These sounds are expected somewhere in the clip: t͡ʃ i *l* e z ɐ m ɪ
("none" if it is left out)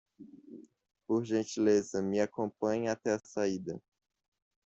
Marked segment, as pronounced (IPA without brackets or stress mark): l